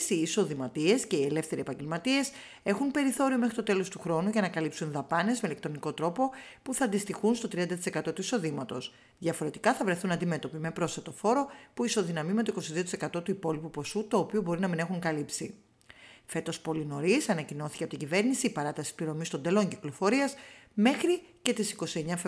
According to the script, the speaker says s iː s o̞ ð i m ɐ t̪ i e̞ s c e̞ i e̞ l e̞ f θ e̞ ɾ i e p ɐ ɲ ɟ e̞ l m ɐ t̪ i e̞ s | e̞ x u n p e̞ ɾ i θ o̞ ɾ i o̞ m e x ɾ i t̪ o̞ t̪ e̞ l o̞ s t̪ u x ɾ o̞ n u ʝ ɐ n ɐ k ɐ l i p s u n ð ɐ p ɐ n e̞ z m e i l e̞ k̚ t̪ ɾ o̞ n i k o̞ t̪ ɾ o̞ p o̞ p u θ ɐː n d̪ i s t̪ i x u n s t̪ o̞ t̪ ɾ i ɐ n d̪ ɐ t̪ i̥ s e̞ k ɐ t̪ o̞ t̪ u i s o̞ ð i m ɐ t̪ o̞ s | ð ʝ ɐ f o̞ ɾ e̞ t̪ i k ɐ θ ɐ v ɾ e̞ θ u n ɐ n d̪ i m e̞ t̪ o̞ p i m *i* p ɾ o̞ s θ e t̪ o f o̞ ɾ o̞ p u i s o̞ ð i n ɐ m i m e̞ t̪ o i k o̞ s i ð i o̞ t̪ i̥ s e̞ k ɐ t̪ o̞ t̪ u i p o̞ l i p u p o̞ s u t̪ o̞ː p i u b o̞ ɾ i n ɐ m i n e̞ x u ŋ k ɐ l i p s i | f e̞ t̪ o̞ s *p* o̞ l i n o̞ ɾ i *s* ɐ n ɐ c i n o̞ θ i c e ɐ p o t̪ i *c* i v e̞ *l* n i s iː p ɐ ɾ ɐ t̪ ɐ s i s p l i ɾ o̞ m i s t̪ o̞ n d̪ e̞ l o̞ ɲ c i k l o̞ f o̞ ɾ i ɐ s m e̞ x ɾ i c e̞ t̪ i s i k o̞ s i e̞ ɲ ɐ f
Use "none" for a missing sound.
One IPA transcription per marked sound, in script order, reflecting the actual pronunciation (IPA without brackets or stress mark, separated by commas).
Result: e, p, s, ɟ, ɾ